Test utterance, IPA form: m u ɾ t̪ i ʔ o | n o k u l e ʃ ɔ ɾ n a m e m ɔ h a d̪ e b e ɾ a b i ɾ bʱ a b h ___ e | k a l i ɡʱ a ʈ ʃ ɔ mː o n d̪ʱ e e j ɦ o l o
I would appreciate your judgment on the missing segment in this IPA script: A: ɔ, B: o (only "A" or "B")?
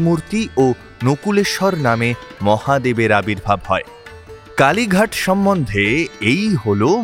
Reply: A